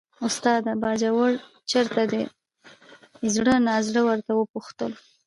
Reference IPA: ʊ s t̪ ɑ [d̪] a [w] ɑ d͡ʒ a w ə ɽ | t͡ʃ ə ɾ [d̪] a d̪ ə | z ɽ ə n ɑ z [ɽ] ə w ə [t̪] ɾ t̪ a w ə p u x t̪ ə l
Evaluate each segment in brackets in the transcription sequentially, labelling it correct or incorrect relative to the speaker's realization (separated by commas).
correct, incorrect, incorrect, correct, incorrect